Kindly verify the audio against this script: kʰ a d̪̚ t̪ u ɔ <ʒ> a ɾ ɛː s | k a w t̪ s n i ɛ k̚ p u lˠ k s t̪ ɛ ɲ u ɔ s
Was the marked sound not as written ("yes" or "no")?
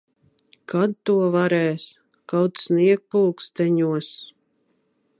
yes